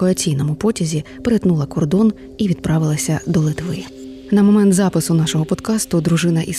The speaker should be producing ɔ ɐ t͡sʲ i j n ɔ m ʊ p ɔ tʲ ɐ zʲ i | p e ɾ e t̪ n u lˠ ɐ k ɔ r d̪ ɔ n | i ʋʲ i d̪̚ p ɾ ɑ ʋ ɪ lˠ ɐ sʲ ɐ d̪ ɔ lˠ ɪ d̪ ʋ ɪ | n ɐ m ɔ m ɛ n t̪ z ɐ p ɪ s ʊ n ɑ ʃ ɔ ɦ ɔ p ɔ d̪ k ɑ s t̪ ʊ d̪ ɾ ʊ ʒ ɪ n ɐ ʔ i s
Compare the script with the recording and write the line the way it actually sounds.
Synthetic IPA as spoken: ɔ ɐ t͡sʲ i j n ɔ m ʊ p ɔ tʲ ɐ zʲ i | p e ɾ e t̪ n u lˠ ɐ k ɔ r d̪ ɔ n | i ʋʲ i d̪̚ p ɾ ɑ ʋ ɪ lˠ ɐ sʲ ɐ d̪ ɔ lˠ ɪ t̪ ʋ ɪ | n ɐ m ɔ m ɛ n t̪ z ɑ p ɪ s ʊ n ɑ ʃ ɔ ɦ ɔ p ɔ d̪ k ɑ s t̪ ʊ d̪ ɾ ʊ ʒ ɪ n ɐ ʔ i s